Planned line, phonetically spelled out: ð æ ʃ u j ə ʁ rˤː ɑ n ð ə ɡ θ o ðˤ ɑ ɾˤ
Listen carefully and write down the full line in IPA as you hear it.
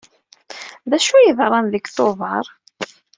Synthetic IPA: ð æ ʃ u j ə ð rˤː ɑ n ð ə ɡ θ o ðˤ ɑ ɾˤ